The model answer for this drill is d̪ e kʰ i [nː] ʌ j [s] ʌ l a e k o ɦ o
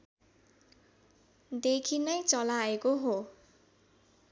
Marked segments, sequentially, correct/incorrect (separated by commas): incorrect, incorrect